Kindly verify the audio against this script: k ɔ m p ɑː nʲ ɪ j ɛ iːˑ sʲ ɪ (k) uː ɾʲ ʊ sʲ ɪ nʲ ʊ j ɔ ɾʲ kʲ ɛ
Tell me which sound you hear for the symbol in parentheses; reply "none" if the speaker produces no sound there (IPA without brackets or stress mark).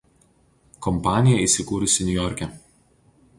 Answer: k